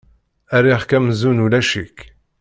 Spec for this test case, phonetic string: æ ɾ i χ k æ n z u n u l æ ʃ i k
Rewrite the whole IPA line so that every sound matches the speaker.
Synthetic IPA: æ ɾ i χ k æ m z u n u l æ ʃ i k